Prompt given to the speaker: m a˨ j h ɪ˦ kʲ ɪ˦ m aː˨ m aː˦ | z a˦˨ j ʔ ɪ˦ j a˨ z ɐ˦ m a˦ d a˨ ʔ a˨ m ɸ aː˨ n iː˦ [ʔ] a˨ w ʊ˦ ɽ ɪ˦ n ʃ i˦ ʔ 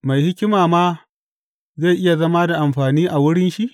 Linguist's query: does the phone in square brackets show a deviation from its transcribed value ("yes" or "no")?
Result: no